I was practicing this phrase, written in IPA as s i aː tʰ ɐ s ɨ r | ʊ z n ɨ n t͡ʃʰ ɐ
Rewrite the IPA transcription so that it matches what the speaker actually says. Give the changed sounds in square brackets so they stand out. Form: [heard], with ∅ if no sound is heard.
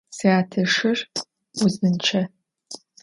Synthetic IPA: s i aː tʰ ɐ [ʂ] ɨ r | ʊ z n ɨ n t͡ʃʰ ɐ